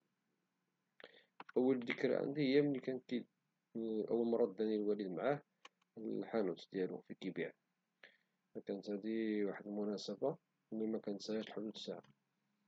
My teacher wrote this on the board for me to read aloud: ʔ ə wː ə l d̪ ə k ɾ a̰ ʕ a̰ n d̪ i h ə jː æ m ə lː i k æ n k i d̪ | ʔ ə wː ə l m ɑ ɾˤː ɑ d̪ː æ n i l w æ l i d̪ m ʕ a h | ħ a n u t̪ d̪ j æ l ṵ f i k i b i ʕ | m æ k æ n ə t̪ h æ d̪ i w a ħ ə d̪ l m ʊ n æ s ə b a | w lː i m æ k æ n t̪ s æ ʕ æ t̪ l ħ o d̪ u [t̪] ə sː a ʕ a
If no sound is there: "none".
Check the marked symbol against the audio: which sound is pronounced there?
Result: d̪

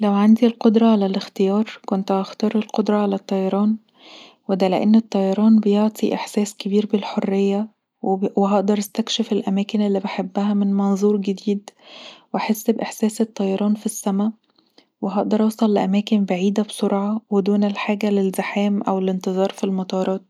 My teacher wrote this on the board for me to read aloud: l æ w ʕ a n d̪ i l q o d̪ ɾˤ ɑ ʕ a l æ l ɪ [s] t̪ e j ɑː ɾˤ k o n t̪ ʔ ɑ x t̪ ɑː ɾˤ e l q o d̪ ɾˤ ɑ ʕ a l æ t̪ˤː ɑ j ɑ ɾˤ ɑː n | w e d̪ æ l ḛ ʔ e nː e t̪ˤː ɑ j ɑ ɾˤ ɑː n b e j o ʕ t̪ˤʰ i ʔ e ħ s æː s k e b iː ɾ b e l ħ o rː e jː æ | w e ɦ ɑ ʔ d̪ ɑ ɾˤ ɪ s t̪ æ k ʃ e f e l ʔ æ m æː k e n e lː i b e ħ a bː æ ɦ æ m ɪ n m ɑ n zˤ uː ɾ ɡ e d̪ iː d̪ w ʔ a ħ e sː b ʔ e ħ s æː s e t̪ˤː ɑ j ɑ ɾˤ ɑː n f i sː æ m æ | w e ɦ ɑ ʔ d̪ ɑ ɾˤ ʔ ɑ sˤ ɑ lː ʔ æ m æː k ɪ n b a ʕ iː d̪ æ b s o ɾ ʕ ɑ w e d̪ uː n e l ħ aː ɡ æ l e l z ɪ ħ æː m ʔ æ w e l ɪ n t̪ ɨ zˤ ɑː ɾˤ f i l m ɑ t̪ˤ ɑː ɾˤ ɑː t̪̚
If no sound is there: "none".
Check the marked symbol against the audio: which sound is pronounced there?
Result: x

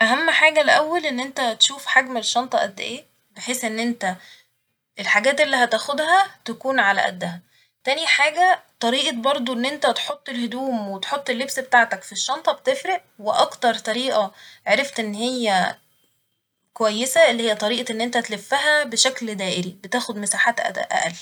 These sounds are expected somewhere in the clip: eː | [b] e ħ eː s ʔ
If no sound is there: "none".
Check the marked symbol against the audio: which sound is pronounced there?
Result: b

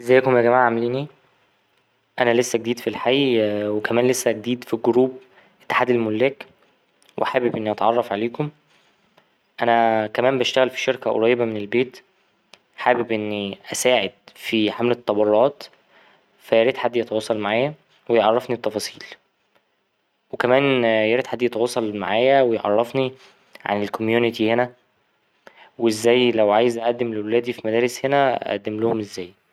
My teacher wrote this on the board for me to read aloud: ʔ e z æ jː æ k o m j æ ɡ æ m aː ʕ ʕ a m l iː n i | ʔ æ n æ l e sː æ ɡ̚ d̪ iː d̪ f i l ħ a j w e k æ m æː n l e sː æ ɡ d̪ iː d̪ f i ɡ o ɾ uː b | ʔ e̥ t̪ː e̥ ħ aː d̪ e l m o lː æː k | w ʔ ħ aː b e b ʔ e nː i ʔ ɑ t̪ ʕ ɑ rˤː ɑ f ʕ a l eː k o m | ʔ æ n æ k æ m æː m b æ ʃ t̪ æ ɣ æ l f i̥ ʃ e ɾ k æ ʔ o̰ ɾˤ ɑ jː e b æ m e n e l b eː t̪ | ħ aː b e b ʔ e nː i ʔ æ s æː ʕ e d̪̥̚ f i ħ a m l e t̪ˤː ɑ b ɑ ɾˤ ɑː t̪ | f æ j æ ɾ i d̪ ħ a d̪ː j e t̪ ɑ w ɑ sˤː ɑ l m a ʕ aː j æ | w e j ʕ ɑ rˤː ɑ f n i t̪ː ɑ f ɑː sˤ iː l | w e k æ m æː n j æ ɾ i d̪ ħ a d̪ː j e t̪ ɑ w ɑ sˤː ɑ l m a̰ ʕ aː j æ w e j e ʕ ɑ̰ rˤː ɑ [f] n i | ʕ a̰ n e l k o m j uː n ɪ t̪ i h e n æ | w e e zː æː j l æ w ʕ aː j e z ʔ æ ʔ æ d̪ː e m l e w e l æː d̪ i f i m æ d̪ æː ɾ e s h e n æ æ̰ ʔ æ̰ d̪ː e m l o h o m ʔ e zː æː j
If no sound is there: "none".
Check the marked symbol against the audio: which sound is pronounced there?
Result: f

